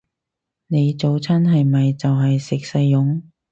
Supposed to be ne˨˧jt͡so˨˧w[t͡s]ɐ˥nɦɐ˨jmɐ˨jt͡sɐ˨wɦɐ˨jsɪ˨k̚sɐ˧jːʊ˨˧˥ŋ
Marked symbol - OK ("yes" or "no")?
no